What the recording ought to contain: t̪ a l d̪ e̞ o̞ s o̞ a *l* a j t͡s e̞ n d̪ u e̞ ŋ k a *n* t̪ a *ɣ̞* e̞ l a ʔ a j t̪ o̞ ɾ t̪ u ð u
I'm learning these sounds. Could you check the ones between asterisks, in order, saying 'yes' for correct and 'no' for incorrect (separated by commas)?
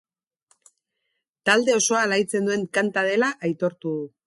yes, yes, no